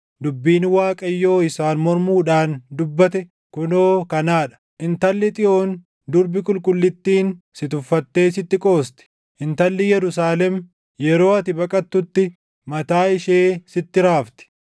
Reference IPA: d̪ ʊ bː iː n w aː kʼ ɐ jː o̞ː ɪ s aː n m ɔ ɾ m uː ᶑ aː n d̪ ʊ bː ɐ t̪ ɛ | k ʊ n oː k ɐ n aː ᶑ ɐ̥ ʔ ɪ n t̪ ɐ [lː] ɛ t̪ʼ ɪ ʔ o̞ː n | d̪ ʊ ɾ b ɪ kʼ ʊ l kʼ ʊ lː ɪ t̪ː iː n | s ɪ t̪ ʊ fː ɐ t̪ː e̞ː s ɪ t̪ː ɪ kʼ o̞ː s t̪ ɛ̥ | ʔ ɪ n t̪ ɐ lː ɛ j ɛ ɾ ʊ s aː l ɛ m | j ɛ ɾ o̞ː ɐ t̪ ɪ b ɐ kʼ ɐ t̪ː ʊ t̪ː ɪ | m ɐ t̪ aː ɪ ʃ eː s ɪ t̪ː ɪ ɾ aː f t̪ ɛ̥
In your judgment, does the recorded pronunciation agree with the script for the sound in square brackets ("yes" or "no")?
yes